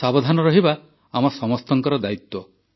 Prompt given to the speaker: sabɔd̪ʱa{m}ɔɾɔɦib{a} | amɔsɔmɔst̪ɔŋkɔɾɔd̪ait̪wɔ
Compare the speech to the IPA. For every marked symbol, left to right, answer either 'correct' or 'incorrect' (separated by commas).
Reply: incorrect, correct